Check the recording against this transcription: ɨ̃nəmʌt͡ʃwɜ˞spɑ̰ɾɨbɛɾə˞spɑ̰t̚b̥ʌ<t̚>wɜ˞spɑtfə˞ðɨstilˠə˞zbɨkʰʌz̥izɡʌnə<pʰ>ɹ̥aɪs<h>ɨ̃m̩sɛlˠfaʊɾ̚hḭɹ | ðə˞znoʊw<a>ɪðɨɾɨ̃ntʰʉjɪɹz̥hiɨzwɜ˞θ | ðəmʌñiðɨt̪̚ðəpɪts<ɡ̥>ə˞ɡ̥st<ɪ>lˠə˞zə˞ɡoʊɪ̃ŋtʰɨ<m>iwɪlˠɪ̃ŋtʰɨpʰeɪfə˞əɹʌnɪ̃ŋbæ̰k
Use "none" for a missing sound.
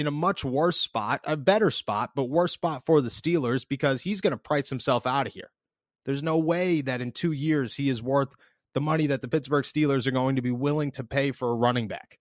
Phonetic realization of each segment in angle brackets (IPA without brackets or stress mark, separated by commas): t̚, pʰ, h, e, b̥, i, b